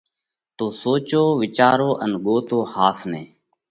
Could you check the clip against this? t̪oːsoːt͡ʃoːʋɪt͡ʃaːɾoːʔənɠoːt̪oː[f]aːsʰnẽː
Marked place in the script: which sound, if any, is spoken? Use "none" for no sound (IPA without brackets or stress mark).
h